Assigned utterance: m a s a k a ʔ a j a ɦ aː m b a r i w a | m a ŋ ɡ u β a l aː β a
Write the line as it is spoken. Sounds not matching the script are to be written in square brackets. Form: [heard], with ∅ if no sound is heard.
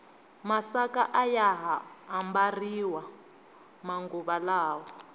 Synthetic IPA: m a s a k a ʔ a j a ɦ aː m b a r i w a | m a ŋ ɡ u β a l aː [w] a